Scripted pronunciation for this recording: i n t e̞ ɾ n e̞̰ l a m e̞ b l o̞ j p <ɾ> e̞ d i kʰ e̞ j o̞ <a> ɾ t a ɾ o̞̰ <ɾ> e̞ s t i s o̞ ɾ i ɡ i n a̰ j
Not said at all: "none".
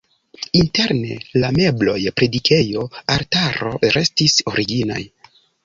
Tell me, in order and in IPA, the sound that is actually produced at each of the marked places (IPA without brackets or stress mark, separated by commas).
ɾ, a, ɾ